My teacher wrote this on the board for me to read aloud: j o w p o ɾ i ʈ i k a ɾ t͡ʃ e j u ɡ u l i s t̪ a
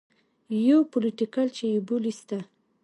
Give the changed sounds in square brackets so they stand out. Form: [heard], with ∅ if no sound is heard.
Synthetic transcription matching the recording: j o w p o [l] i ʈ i k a [l] t͡ʃ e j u [b] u l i s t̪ a